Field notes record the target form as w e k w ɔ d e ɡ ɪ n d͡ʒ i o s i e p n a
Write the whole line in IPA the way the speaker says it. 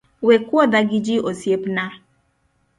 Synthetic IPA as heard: w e k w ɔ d a ɡ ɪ d͡ʒ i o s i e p n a